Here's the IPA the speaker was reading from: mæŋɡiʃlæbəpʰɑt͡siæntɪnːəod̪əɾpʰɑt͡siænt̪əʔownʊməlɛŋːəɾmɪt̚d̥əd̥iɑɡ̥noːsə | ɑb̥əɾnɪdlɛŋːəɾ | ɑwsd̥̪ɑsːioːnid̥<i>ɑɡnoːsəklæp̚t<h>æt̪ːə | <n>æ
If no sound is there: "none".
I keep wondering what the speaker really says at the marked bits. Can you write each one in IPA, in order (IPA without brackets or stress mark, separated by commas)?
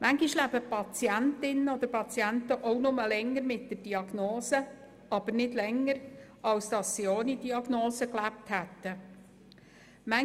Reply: i, h, m